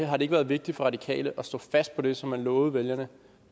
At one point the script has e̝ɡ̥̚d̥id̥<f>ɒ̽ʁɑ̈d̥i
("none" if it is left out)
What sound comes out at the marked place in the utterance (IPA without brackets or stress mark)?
f